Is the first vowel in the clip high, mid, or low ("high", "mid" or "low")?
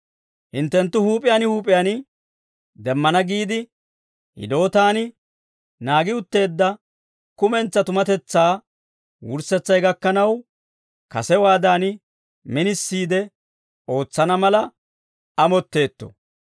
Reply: high